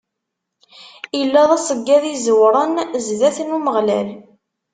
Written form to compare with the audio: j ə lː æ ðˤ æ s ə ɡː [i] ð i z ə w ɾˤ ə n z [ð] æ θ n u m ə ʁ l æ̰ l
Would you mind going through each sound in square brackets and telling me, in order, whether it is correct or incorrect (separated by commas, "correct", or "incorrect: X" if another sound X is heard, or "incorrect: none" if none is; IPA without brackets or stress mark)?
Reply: incorrect: æ, correct